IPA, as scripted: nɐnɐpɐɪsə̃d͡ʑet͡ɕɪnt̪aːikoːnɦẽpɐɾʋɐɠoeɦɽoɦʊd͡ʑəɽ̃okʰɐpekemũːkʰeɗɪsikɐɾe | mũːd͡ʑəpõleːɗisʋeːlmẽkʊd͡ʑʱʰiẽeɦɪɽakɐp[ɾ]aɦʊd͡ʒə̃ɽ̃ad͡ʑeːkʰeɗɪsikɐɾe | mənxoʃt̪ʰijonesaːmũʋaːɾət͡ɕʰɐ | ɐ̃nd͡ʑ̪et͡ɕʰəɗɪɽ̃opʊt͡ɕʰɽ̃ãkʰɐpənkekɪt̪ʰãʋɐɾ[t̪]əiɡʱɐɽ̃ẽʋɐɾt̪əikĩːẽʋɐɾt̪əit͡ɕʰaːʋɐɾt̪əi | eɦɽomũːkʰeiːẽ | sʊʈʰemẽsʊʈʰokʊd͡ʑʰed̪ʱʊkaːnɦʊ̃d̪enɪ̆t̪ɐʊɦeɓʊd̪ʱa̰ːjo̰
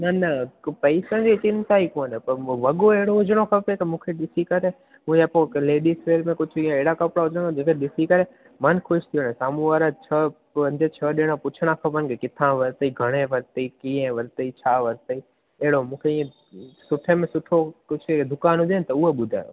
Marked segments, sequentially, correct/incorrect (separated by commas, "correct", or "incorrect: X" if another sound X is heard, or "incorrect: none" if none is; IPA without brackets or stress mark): incorrect: ɽ, correct